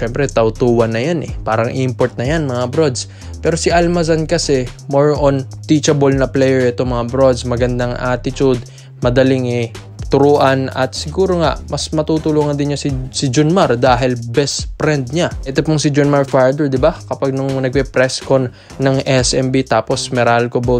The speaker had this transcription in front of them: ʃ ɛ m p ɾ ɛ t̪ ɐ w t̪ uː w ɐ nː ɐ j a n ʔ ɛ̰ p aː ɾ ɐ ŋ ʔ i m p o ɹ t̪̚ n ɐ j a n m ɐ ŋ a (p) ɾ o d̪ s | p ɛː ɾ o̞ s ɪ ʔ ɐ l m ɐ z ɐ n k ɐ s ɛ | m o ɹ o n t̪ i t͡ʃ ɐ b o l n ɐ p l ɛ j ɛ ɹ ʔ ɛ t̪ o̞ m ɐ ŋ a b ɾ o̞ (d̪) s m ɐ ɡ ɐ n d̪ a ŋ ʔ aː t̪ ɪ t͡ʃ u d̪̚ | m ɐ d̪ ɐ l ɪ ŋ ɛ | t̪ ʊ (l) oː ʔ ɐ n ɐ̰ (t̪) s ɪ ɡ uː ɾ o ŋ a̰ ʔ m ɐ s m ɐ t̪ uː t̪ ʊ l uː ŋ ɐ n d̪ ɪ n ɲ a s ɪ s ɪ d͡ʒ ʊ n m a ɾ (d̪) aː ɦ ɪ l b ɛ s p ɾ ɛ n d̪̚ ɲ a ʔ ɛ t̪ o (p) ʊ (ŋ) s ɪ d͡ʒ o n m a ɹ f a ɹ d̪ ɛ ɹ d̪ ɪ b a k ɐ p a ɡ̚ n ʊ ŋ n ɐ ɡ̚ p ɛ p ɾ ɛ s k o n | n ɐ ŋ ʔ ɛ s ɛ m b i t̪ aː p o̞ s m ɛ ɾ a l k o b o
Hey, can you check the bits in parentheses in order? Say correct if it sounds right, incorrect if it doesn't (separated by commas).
incorrect, correct, incorrect, correct, correct, correct, correct